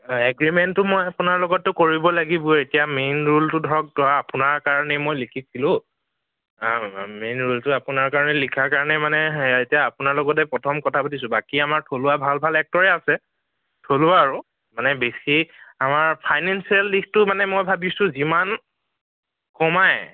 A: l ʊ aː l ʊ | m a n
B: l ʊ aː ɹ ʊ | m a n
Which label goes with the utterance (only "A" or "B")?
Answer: B